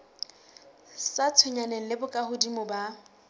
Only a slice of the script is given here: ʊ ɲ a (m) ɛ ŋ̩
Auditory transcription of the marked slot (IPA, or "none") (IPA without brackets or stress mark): n